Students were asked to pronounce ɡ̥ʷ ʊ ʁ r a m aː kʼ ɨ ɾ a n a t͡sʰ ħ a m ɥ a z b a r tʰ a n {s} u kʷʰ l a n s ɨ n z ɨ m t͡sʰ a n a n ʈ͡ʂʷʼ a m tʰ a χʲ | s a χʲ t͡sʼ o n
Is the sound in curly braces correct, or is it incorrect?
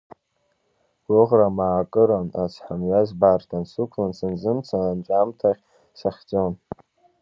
correct